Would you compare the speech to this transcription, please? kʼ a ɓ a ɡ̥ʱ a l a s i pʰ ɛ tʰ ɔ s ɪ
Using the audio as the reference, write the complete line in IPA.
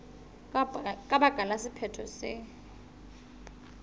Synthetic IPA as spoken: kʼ a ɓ a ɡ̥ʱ a l a s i pʰ ɛ tʰ ɔ s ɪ